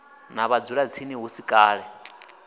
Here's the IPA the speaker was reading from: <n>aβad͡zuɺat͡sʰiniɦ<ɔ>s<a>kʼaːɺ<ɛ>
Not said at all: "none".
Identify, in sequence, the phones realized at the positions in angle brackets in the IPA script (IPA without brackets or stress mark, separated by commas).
n, u, i, ɛ